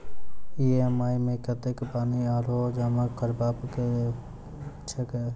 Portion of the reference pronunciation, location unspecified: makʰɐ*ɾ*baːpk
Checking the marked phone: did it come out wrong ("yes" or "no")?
no